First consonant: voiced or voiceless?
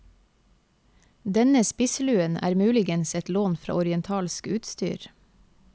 voiced